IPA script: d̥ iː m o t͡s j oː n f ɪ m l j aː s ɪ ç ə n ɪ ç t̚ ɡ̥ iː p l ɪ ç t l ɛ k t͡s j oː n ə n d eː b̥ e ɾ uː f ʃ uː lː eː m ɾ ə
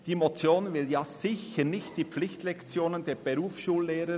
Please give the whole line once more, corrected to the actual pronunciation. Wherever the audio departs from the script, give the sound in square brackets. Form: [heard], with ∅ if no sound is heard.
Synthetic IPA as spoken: d̥ iː m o t͡s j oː n [v] ɪ [∅] l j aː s ɪ ç ə n ɪ ç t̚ [d̥] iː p l ɪ ç t l ɛ k t͡s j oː n ə n d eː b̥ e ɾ uː f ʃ uː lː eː [∅] ɾ ə